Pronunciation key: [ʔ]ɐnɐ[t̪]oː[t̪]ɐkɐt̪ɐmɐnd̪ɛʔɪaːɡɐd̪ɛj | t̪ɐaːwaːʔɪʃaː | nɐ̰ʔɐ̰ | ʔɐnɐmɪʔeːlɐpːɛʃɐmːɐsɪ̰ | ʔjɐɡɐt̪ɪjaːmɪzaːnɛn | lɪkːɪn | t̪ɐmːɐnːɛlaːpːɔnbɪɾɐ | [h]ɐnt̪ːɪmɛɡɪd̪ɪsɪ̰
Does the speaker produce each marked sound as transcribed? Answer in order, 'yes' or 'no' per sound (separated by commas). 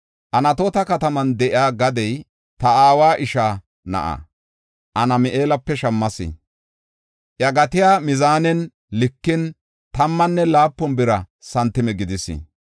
yes, yes, yes, no